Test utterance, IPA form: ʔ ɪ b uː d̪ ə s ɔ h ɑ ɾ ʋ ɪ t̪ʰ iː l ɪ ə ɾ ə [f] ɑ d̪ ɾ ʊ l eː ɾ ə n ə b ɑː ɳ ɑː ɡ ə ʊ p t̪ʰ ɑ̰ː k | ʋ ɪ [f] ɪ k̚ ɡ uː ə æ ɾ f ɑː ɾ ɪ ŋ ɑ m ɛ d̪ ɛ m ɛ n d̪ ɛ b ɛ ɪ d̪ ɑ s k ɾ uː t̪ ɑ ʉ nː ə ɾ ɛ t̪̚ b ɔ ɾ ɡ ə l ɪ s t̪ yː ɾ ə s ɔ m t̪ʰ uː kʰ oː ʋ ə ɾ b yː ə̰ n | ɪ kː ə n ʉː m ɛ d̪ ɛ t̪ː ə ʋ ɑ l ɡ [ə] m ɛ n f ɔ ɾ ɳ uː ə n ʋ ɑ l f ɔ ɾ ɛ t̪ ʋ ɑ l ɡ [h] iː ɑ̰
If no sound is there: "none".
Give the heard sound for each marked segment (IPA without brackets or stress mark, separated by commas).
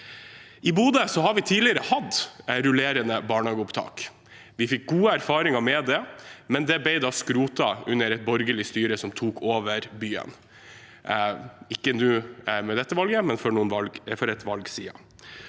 h, f, ə, s